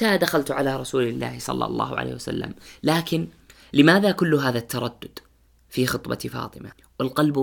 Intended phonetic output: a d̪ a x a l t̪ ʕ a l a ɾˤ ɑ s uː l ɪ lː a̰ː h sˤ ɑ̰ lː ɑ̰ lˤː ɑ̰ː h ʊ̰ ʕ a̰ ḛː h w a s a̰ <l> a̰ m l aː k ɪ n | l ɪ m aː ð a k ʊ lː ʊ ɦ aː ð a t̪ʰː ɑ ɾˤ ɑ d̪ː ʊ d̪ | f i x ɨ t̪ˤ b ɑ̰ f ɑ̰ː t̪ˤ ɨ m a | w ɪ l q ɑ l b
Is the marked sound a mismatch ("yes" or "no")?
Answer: yes